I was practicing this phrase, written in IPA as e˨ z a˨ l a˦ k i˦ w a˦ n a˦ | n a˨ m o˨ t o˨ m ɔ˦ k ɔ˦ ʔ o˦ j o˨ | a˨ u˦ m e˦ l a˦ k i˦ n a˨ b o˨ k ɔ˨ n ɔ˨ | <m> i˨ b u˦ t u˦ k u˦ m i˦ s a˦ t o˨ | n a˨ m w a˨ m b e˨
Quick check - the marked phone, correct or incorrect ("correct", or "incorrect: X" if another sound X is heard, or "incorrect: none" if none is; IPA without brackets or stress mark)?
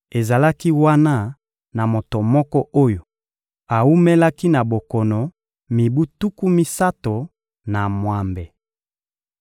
correct